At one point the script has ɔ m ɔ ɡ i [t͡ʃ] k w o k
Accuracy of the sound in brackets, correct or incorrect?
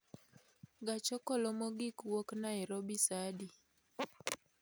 incorrect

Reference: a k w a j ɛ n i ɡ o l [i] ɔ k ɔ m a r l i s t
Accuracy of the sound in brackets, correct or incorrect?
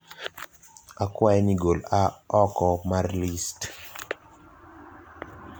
incorrect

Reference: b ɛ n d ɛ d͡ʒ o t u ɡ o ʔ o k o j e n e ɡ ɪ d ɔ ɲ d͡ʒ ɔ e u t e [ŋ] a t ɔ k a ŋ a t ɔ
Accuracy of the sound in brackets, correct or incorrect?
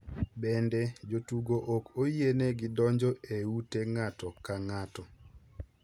correct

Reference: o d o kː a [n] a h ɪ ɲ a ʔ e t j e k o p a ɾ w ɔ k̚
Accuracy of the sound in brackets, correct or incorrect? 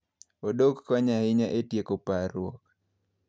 incorrect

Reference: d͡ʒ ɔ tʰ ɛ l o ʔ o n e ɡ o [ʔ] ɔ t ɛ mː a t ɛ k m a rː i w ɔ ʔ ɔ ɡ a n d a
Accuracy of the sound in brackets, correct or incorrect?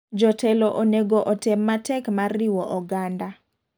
correct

